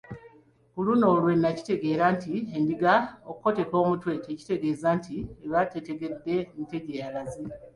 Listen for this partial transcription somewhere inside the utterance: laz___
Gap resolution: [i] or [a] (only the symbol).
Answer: i